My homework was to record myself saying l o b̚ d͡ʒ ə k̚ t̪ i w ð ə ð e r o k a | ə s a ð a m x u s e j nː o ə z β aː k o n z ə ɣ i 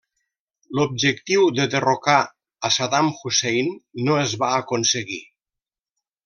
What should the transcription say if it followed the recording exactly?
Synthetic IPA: l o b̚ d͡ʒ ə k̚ t̪ i w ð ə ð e r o k a | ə s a ð a m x u s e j nː o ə z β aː k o n s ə ɣ i